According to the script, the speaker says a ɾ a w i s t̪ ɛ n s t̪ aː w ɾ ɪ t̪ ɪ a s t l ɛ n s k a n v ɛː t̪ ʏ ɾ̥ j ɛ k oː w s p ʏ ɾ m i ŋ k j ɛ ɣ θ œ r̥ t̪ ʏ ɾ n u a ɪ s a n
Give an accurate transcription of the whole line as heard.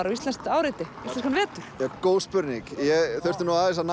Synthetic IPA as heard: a ɾ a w i s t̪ ɛ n s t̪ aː w ɾ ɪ t̪ ɪ i s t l ɛ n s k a n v ɛː t̪ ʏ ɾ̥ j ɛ k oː w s p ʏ ɾ n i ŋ k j ɛ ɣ θ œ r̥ t̪ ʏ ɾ n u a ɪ s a n

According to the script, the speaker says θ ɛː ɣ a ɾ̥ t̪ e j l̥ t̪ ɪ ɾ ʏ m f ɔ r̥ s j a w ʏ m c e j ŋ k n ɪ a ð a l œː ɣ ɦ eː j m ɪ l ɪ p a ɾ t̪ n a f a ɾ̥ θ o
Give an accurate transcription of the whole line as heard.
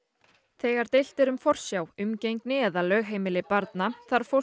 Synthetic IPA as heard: θ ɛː ɣ a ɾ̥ t̪ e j l̥ t̪ ɪ ɾ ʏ m f ɔ r̥ s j a w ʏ m c e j ŋ k n ɪ ɛ ð a l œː ɣ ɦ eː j m ɪ l ɪ p a ɾ t̪ n a θ a ɾ̥ f o

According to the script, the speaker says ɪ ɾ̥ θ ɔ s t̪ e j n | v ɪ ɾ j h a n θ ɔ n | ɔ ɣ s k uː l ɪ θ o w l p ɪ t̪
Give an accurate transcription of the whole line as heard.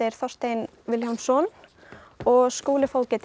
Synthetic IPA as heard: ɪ ɾ̥ θ ɔ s t̪ e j n | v ɪ l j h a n s ɔ n | ɔ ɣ s k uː l ɪ f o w l c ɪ t̪

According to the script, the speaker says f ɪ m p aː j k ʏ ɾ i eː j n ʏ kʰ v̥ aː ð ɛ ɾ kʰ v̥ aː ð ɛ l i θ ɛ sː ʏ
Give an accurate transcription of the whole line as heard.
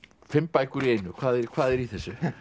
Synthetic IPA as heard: f ɪ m p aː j k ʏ ɾ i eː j n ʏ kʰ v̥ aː ð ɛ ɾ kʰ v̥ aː ð ɛ ɾ i θ ɛ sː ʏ

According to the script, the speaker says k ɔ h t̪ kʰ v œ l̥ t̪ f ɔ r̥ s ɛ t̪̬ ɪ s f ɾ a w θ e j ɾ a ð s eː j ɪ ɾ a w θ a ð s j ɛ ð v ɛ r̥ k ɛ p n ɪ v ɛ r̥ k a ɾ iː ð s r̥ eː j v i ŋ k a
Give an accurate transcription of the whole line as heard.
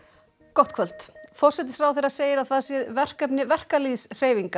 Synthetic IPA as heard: k ɔ h t̪ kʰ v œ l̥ t̪ f ɔ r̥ s ɛ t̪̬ ɪ s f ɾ a w θ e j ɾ a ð s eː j ɪ ɾ a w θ a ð s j ɛ ð v ɛ r̥ k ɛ p n ɪ v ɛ r̥ k a l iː ð s r̥ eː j v i ŋ k a

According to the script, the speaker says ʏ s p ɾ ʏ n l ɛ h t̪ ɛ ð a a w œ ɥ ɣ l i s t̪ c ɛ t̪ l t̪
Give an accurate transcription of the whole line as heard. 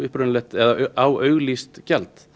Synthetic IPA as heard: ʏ h p ɾ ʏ n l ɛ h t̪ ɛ ð a a w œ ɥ ɣ l i s t̪ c ɛ l t̪

